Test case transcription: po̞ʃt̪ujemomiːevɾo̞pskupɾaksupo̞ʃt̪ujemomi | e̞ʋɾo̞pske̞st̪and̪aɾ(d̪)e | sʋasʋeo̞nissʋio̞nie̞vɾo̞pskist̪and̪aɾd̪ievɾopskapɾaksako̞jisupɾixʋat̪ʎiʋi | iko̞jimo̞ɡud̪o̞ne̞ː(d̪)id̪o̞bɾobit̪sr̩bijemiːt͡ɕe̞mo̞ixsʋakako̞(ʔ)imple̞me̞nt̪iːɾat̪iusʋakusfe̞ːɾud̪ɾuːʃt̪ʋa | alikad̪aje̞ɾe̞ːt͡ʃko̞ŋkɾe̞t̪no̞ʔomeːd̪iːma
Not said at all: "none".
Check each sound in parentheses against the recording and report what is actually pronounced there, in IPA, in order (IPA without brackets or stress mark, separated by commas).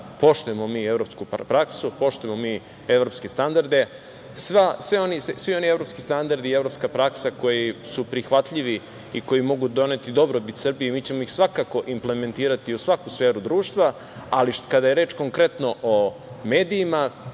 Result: d̪, t̪, ʔ